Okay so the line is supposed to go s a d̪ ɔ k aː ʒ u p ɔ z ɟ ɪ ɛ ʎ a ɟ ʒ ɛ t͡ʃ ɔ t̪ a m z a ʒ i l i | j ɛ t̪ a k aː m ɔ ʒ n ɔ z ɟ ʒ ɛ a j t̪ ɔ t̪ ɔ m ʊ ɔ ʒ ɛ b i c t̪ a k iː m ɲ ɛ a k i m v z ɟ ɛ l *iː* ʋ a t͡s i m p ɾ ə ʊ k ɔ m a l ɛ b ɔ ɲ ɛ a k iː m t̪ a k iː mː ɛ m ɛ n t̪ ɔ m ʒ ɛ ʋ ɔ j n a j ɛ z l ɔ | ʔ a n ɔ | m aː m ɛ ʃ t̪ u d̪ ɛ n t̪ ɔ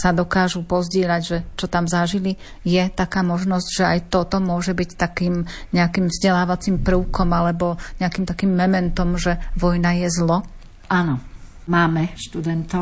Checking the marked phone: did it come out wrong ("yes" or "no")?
yes